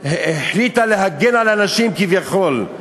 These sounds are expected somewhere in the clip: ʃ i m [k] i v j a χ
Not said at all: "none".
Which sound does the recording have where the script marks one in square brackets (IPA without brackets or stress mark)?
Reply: k